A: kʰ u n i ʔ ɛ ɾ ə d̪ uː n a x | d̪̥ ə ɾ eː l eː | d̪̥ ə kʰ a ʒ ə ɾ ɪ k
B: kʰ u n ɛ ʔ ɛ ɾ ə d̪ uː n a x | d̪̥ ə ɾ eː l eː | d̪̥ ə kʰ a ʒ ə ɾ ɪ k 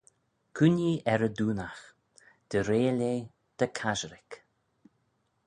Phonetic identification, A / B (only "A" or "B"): A